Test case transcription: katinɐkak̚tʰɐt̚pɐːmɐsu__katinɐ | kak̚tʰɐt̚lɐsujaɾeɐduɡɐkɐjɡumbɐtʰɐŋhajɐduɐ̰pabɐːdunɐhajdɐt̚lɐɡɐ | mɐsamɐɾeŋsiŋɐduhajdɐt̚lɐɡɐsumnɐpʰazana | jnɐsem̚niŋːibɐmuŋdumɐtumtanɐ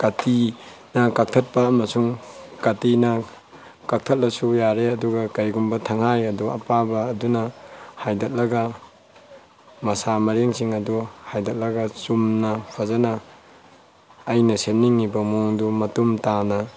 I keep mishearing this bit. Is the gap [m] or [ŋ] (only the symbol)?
ŋ